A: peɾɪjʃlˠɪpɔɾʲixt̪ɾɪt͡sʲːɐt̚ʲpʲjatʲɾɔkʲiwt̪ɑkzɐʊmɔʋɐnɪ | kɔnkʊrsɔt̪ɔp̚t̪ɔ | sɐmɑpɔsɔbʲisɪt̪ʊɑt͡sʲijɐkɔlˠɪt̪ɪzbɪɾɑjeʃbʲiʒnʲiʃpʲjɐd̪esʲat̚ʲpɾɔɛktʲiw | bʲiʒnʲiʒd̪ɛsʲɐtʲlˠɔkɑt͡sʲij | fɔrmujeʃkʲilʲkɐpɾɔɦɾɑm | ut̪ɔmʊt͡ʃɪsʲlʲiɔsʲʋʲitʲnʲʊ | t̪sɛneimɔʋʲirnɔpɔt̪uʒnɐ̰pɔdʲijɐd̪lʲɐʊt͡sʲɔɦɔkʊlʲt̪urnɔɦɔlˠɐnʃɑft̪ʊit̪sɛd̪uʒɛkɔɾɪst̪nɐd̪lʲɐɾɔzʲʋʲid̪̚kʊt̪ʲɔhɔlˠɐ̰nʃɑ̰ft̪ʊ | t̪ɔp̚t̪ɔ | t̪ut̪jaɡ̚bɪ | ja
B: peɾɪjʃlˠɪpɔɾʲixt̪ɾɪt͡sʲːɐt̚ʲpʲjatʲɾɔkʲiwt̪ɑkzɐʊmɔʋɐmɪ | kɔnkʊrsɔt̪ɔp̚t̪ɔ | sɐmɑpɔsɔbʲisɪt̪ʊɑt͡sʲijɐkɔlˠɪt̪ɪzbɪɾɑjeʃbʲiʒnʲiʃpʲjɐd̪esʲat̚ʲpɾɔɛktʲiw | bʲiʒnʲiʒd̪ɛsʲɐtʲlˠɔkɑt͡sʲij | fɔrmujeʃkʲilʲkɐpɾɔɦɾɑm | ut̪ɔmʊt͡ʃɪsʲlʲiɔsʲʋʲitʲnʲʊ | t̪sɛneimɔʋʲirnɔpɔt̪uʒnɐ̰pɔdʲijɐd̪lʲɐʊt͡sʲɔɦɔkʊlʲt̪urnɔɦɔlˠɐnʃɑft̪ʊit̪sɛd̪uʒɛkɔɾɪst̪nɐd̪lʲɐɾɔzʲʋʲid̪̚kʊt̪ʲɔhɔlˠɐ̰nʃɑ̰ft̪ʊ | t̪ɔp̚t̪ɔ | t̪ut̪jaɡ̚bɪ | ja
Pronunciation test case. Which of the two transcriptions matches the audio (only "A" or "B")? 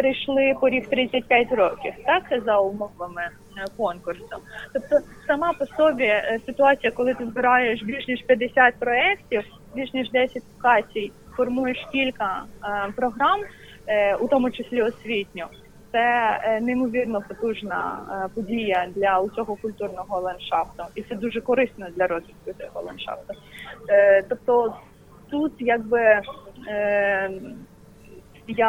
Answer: B